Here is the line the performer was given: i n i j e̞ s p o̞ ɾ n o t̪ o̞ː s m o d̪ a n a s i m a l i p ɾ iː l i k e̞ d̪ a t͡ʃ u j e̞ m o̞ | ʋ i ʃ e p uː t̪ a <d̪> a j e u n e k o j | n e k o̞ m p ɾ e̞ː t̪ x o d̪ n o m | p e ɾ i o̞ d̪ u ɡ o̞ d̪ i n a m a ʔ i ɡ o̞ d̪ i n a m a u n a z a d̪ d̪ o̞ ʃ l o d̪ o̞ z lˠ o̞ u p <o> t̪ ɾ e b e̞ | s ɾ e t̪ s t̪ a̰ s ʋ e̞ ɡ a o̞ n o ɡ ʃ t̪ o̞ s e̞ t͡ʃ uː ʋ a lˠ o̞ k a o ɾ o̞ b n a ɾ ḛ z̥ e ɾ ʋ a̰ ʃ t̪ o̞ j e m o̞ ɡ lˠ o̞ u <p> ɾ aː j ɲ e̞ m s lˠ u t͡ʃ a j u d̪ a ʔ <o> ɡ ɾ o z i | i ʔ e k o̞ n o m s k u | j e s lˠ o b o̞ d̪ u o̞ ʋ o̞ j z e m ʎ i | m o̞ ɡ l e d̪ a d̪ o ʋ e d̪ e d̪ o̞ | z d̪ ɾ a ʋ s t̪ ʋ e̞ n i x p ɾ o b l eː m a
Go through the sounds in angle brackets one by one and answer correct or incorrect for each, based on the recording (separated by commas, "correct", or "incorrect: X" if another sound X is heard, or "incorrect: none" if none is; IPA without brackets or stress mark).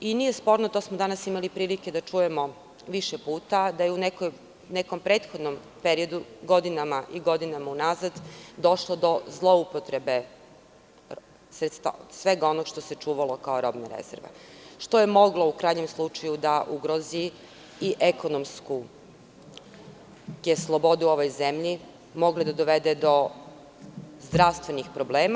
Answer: correct, correct, incorrect: k, incorrect: u